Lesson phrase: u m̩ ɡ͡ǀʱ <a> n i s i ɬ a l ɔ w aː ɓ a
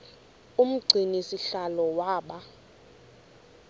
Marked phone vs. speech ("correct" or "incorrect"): incorrect